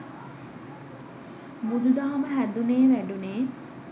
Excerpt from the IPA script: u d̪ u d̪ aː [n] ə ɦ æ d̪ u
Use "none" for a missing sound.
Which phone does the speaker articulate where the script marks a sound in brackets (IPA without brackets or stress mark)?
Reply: m